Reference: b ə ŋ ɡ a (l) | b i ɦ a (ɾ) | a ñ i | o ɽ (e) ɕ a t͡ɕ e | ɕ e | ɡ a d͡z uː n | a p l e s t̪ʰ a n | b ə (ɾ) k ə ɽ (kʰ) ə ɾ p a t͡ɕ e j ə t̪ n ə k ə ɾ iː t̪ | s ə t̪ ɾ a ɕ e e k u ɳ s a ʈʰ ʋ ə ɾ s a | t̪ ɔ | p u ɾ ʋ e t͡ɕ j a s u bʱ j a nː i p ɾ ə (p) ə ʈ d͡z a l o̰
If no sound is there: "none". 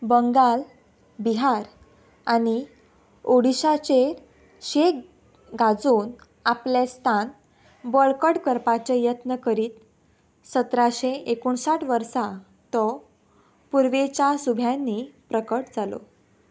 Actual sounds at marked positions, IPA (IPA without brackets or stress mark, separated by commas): l, ɾ, i, ɭ, k, k